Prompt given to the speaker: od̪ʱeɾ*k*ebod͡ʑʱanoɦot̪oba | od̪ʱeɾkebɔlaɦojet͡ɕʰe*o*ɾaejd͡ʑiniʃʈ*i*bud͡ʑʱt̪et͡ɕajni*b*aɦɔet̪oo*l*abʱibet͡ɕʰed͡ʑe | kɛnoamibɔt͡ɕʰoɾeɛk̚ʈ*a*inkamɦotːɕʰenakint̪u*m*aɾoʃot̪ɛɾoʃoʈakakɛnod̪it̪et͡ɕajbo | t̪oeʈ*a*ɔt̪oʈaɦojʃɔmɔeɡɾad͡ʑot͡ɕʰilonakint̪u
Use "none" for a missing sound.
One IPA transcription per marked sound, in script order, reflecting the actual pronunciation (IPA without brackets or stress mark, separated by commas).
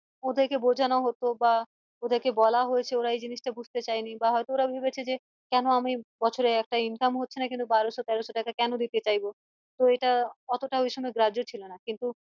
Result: k, o, a, b, ɾ, a, b, a